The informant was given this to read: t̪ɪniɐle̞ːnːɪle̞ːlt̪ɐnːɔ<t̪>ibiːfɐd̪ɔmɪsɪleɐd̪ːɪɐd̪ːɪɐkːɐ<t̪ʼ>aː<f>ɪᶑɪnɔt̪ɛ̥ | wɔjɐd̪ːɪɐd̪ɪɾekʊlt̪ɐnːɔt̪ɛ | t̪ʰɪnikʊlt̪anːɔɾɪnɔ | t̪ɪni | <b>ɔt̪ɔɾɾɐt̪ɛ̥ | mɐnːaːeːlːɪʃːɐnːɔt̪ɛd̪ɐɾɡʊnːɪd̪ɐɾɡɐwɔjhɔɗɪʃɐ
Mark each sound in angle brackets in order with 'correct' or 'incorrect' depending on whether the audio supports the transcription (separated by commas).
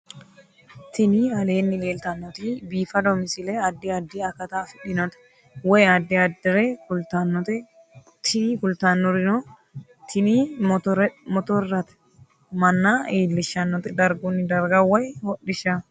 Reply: correct, incorrect, correct, incorrect